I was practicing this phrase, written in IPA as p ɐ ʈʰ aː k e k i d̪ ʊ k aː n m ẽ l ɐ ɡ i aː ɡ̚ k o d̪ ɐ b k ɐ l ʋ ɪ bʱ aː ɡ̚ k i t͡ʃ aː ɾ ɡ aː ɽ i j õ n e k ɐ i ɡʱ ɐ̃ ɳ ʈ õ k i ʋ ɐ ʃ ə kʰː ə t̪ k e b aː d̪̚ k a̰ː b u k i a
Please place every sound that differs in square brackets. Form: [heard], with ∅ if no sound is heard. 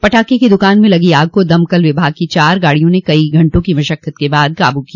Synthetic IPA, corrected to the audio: p ɐ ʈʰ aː k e k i d̪ ʊ k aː n m ẽ l ɐ ɡ i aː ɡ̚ k o d̪ ɐ [m] k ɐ l ʋ ɪ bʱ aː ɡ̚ k i t͡ʃ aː ɾ ɡ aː ɽ i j õ n e k ɐ i ɡʱ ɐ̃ ɳ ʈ õ k i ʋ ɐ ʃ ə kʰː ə t̪ k e b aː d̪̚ k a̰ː b u k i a